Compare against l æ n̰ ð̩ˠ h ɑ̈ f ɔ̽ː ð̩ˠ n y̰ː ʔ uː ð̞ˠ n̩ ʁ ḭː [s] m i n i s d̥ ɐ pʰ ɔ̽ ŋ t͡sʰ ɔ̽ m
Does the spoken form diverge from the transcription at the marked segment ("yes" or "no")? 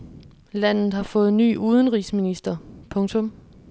no